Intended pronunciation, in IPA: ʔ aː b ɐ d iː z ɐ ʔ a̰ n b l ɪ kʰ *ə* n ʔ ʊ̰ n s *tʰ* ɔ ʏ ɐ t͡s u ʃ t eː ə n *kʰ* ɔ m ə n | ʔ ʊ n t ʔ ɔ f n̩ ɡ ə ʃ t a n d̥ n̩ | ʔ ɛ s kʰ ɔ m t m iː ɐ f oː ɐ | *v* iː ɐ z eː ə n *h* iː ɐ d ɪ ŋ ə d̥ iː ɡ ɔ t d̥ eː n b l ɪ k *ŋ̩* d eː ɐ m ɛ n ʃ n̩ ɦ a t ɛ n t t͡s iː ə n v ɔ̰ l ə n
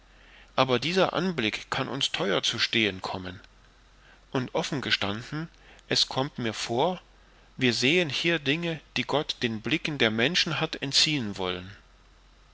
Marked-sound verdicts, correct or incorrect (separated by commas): incorrect, correct, correct, correct, correct, incorrect